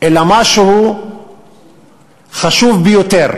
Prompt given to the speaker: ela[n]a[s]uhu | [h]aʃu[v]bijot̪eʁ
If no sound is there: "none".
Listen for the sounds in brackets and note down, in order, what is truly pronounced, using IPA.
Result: m, ʃ, χ, v

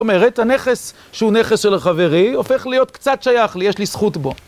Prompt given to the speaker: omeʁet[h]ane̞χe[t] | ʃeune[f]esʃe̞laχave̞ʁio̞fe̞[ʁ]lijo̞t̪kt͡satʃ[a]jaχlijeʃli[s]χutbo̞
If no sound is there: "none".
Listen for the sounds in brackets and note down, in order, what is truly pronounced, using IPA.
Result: h, s, χ, χ, a, s

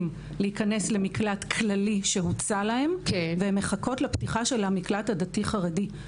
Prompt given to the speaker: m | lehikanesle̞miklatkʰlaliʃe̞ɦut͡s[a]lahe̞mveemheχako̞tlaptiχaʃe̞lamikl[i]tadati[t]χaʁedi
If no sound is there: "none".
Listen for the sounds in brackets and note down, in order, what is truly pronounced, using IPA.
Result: a, a, none

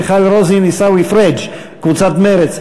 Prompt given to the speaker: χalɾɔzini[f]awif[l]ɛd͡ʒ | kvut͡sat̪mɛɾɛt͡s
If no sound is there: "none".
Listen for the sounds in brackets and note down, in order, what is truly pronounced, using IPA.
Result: s, ɾ

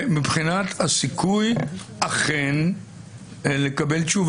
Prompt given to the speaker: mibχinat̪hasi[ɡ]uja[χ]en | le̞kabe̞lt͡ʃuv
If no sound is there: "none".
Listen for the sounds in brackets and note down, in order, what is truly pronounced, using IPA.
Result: k, χ

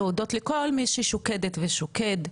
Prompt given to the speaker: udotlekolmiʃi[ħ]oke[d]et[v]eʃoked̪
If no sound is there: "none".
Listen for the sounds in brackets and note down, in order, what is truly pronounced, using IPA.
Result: ʃ, d, v

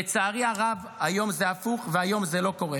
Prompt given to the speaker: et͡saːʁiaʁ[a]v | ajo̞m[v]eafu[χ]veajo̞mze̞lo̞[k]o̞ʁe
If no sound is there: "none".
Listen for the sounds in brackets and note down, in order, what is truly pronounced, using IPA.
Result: a, z, χ, k

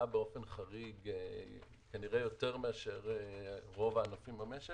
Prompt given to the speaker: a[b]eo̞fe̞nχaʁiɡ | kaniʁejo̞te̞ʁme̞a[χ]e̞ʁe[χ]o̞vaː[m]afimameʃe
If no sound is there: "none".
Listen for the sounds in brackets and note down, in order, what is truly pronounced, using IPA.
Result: b, ʃ, ʁ, n

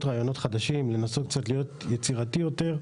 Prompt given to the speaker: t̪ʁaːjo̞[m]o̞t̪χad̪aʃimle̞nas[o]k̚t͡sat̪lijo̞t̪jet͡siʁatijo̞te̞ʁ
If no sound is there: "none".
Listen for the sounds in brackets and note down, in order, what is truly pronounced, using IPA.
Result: n, o

